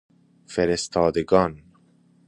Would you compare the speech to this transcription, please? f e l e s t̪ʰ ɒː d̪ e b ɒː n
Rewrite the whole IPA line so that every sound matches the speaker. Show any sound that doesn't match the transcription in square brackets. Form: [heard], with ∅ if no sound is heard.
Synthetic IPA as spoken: f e [ɾ] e s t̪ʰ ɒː d̪ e [ɡ] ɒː n